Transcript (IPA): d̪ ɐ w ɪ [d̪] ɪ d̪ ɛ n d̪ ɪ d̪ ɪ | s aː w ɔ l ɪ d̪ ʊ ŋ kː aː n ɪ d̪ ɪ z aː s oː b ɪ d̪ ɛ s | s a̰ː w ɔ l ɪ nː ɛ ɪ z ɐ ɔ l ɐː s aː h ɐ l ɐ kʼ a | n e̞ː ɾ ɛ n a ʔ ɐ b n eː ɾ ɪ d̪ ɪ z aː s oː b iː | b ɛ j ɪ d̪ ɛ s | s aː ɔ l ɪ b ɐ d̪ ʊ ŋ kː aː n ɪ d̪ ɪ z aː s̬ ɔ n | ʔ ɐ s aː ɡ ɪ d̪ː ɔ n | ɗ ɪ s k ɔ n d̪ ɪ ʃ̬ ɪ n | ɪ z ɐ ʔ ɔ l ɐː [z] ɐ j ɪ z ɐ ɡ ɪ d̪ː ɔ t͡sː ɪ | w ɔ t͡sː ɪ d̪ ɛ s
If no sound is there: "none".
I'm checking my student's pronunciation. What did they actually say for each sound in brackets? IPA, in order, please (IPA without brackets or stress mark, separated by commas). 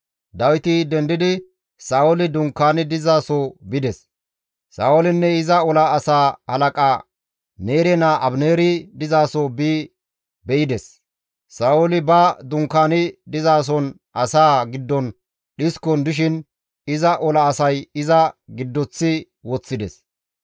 t̪, s